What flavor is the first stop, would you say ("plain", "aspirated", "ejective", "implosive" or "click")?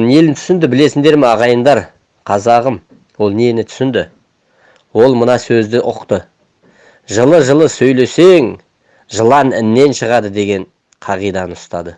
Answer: aspirated